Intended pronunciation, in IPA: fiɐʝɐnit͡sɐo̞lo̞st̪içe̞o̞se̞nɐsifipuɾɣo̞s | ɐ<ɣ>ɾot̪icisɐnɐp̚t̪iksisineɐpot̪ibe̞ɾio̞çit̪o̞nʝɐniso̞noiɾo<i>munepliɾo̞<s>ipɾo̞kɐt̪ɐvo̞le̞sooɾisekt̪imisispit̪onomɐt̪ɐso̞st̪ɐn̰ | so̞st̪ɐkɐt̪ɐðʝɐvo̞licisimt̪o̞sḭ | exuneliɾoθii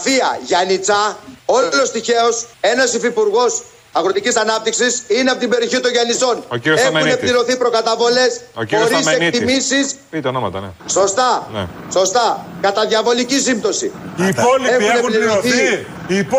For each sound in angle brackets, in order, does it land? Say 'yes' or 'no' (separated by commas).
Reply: yes, no, no